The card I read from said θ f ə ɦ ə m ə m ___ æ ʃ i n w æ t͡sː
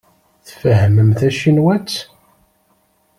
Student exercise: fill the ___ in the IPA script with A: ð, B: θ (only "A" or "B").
B